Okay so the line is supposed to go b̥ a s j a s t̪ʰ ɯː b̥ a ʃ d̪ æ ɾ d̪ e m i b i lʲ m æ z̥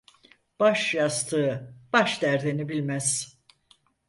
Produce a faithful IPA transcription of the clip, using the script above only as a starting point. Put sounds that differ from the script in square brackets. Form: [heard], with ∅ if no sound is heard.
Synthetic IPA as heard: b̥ a [ʃ] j a s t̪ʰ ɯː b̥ a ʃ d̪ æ ɾ d̪ e [n] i b i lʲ m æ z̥